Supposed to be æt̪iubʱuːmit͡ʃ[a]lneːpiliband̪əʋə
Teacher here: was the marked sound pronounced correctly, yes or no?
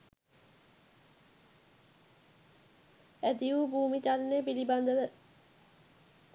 yes